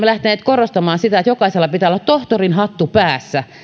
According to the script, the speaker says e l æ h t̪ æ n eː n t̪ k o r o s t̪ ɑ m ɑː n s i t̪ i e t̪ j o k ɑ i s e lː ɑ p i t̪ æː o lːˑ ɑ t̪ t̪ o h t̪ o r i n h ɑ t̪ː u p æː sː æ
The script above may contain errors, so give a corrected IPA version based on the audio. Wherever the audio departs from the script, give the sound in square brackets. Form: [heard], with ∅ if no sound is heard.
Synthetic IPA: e l æ h t̪ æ n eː [∅] t̪ k o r o s t̪ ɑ m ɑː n s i t̪ [æ] e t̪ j o k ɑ i s e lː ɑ p i t̪ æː o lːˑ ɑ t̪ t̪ o h t̪ o r i n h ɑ t̪ː u p æː sː æ